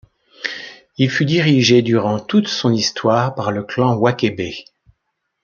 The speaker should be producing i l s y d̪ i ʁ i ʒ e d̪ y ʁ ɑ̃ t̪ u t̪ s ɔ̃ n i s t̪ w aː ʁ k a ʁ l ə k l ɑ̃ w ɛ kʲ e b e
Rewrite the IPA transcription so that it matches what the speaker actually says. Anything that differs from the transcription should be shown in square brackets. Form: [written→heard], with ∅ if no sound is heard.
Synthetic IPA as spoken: i l [s→f] y d̪ i ʁ i ʒ e d̪ y ʁ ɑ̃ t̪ u t̪ s ɔ̃ n i s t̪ w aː ʁ [k→p] a ʁ l ə k l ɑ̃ w [ɛ→a] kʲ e b e